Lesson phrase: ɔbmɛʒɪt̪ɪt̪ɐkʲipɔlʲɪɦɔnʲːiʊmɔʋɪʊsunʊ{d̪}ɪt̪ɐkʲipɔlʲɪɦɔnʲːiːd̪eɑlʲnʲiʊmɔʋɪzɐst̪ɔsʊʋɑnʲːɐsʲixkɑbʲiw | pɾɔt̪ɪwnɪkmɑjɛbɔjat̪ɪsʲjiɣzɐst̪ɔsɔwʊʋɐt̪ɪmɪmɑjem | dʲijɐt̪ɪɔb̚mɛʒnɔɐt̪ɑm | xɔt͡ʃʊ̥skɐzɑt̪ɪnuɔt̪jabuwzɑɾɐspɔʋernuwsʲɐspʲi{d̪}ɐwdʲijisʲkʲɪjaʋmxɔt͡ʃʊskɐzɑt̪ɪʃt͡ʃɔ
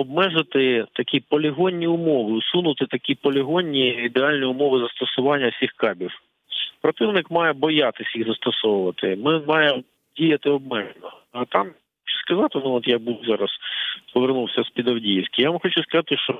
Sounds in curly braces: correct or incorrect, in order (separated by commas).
incorrect, correct